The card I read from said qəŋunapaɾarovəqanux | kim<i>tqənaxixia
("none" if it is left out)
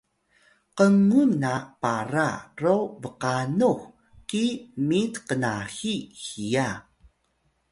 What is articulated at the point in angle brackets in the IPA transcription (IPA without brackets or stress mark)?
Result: i